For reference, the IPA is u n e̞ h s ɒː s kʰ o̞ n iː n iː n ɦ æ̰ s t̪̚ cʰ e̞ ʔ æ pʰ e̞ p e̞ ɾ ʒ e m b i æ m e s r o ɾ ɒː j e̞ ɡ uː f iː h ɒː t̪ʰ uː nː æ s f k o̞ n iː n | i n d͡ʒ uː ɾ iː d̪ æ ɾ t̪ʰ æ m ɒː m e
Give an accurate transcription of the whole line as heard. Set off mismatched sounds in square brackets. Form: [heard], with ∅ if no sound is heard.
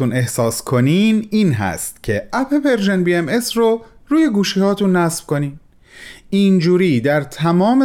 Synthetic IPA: u n e̞ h s ɒː s kʰ o̞ n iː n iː n ɦ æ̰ s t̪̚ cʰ e̞ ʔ æ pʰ e̞ p e̞ ɾ ʒ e [n] b i [e] m e s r o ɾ [uː] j e̞ ɡ uː [ʃ] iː h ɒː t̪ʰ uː nː æ s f k o̞ n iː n | i n d͡ʒ uː ɾ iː d̪ æ ɾ t̪ʰ æ m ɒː m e